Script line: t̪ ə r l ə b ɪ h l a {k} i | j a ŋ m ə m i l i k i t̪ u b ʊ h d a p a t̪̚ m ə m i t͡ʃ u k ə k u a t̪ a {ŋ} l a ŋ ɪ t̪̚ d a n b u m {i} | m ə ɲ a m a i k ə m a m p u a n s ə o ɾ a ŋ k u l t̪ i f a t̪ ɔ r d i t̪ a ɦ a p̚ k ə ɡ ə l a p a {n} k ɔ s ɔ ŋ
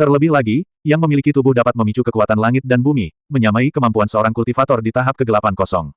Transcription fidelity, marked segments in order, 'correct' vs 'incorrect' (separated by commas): incorrect, incorrect, correct, correct